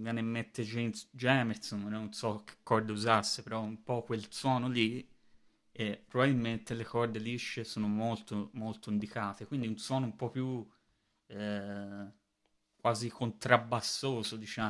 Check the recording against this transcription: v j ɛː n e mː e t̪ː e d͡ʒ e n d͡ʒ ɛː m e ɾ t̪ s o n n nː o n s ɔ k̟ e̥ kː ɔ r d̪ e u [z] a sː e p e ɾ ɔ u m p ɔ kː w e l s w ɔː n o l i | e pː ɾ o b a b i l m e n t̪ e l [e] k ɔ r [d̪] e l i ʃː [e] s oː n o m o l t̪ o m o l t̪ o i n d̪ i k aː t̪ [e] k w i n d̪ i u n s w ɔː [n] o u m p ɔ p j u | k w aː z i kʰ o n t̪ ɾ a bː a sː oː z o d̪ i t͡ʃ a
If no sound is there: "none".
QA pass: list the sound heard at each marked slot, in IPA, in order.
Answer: z, e, d̪, e, e, n

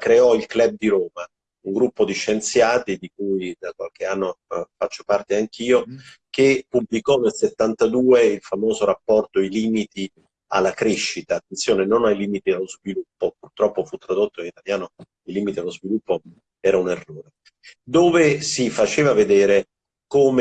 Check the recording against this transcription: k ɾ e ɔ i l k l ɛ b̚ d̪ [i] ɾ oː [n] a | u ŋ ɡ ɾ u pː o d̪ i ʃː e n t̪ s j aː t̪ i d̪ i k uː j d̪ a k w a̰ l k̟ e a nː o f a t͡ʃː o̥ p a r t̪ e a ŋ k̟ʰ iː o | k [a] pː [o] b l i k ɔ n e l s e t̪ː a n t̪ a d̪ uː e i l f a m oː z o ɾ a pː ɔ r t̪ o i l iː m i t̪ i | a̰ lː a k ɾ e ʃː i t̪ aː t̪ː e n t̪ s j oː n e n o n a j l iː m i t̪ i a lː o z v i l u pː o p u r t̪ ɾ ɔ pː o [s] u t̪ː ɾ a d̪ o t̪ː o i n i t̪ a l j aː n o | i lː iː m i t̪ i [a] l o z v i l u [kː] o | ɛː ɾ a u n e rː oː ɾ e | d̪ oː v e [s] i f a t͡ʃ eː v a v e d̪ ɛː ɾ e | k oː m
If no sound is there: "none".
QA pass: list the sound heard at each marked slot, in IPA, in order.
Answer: i, m, e, u, f, a, pː, s

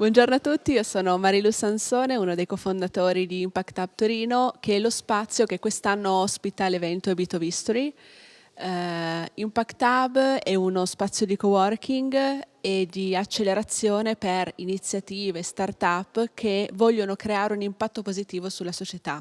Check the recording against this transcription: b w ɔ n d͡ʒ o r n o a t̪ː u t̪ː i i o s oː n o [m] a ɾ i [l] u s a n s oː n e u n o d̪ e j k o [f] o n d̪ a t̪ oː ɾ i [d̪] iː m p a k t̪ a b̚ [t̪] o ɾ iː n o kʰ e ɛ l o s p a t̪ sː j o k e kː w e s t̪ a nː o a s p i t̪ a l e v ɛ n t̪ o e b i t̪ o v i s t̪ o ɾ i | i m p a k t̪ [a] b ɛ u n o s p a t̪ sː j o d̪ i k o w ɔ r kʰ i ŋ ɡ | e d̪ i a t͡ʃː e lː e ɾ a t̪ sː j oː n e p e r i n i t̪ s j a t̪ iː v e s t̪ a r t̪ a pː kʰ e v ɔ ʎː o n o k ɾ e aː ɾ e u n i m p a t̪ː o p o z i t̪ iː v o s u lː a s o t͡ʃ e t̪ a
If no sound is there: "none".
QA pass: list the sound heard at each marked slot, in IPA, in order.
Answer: m, l, f, d̪, t̪, a

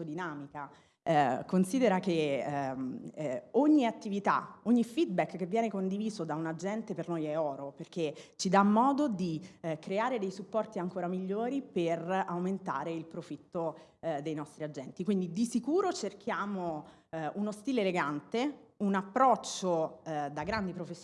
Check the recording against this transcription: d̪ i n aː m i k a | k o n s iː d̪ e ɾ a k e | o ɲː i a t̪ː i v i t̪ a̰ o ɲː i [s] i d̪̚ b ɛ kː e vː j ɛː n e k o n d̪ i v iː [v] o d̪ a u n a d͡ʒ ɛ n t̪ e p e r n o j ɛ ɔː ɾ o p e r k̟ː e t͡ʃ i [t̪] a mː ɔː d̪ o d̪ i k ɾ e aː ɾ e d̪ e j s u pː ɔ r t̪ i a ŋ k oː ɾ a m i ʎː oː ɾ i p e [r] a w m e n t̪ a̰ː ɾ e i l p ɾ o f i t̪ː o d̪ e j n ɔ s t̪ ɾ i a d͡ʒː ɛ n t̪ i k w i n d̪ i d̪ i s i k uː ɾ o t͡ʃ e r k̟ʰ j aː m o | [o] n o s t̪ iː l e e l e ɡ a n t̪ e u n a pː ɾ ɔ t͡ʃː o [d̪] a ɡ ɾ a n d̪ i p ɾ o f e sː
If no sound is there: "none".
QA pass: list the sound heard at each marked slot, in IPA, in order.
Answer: f, z, d̪, r, u, d̪

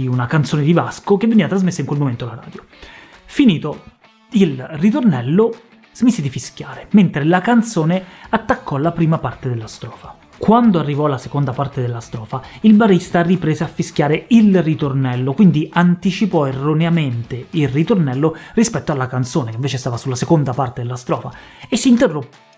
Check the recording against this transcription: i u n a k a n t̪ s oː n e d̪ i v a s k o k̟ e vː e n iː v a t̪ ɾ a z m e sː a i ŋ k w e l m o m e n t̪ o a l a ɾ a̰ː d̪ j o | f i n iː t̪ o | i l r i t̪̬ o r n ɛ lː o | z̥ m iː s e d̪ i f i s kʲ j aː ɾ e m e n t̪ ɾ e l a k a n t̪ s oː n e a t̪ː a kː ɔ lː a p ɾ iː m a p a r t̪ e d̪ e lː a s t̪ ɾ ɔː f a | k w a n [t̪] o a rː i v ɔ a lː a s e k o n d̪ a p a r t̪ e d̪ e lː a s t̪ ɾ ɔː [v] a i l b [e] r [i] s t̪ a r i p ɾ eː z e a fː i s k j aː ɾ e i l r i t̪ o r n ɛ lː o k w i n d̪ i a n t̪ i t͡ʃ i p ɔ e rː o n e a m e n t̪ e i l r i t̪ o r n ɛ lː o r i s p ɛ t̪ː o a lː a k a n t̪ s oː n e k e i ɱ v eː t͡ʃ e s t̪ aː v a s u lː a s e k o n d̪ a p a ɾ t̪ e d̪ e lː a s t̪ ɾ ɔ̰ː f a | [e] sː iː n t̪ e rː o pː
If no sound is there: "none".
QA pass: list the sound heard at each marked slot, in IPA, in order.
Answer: d̪, f, a, i, e

